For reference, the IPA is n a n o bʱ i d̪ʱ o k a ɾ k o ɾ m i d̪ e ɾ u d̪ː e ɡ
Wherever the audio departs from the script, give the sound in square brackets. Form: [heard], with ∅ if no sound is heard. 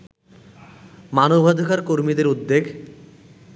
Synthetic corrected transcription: [m] a n o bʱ [a] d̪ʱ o k a ɾ k o ɾ m i d̪ e ɾ u d̪ː e ɡ